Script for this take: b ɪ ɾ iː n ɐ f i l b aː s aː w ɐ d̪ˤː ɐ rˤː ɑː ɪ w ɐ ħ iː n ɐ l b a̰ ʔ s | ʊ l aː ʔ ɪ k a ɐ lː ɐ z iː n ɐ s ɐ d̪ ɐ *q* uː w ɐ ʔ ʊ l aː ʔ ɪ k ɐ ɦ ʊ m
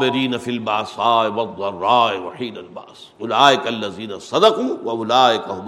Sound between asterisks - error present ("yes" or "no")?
no